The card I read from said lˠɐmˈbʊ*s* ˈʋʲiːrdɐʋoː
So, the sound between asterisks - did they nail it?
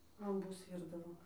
yes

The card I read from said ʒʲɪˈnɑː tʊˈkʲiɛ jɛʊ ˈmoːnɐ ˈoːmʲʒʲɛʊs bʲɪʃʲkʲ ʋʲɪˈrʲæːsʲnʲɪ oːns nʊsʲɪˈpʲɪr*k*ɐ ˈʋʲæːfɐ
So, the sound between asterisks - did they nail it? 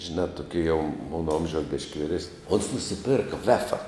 yes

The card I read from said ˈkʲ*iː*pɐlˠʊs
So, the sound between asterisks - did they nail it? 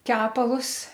no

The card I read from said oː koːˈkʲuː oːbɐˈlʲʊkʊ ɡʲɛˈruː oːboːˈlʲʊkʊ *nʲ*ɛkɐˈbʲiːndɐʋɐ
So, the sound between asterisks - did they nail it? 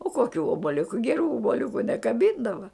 yes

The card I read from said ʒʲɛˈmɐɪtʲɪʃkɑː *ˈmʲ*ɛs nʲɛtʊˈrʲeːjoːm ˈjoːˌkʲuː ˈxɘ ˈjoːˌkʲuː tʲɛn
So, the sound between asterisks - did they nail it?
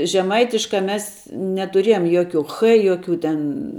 yes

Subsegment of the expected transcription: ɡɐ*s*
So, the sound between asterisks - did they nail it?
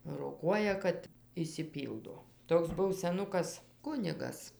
yes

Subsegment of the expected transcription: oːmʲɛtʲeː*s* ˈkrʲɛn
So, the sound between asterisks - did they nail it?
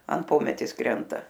yes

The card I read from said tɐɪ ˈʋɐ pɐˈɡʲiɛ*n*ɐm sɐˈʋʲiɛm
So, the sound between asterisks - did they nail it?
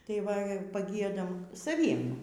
no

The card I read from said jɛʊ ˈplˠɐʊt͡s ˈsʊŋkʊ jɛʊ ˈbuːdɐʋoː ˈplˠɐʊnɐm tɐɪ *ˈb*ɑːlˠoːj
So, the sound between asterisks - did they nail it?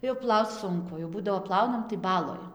yes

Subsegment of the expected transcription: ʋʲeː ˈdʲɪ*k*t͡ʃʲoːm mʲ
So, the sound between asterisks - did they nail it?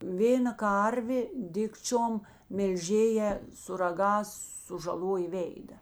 yes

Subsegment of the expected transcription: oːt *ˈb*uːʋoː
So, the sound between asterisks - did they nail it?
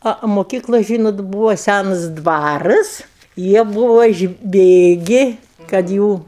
yes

